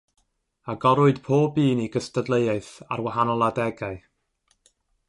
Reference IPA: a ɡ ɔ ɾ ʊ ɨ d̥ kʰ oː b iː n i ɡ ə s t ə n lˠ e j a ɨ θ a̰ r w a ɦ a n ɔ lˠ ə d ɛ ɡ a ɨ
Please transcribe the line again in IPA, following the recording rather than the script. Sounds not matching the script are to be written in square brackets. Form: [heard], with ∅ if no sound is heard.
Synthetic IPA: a ɡ ɔ ɾ ʊ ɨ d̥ [pʰ] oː b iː n i ɡ ə s t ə [d] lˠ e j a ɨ θ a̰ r w a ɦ a n ɔ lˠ [a] d ɛ ɡ a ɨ